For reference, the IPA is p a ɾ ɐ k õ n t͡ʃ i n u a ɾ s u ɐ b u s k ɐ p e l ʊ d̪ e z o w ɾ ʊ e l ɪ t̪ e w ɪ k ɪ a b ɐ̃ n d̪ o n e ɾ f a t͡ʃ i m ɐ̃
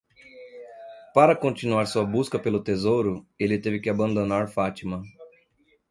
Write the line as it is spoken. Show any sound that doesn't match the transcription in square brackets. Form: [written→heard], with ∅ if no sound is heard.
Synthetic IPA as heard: p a ɾ ɐ k õ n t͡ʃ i n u a ɾ s u ɐ b u s k ɐ p e l ʊ [d̪→t̪] e z o w ɾ ʊ e l ɪ t̪ e [w→v] ɪ k ɪ a b ɐ̃ n d̪ o n [e→a] ɾ f a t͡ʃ i m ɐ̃